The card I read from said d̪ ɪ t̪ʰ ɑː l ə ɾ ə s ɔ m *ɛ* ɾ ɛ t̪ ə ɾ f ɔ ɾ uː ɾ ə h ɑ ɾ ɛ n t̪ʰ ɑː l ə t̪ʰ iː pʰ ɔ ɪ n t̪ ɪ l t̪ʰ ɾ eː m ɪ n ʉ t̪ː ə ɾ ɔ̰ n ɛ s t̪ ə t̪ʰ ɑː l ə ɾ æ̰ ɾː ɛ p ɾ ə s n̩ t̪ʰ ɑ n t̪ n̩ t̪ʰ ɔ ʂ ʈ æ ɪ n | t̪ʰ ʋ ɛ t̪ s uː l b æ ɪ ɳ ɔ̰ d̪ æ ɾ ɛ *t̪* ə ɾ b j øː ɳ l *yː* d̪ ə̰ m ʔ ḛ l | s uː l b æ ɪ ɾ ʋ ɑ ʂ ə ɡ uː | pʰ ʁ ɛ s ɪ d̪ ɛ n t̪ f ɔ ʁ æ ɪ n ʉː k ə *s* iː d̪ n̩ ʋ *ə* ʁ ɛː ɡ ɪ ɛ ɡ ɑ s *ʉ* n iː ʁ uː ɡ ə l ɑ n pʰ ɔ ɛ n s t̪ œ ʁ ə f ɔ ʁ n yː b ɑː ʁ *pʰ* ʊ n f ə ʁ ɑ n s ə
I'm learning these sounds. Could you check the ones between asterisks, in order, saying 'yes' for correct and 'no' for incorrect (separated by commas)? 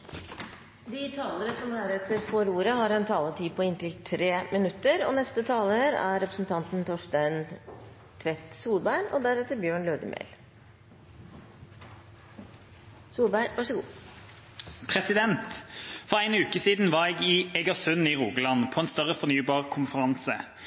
no, yes, no, yes, no, yes, no